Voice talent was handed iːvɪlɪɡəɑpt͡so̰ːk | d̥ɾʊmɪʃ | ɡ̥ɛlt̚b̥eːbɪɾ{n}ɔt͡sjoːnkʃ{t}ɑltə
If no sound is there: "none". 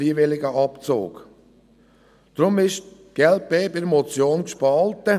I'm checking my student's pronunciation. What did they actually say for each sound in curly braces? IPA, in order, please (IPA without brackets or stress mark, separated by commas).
m, p